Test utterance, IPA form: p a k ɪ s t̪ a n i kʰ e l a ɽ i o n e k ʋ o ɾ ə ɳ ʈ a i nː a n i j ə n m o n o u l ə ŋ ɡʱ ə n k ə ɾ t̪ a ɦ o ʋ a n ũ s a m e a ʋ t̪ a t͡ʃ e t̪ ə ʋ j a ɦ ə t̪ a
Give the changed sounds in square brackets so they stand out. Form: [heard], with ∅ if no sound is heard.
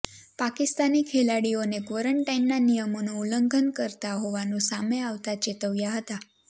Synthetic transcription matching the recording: p a k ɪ s t̪ a n i kʰ e l a ɽ i o n e k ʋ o ɾ ə ɳ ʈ a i nː a n i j ə [∅] m o n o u l ə ŋ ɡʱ ə n k ə ɾ t̪ a ɦ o ʋ a n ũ s a m e a ʋ t̪ a t͡ʃ e t̪ ə ʋ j a ɦ ə t̪ a